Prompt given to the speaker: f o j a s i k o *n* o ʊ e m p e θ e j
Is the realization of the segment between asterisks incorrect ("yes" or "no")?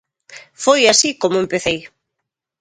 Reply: yes